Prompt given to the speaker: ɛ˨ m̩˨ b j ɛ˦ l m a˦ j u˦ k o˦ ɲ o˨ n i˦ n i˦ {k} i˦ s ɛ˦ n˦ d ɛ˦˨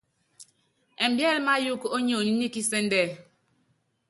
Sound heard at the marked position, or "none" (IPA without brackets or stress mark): k